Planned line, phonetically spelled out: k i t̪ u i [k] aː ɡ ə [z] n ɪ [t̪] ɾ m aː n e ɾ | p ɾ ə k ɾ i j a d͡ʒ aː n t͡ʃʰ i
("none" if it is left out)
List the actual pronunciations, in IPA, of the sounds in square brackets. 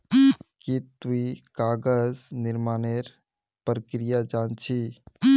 k, z, none

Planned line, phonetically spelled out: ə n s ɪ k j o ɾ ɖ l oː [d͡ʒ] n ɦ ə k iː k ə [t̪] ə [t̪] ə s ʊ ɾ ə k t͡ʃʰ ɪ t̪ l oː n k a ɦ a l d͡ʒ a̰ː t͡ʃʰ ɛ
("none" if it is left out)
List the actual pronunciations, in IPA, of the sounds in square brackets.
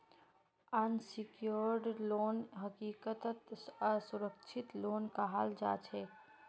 none, t̪, t̪

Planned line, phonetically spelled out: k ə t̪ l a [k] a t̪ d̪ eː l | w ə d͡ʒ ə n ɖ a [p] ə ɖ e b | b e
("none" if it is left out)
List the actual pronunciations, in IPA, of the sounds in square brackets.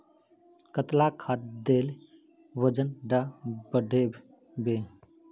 kʰ, b

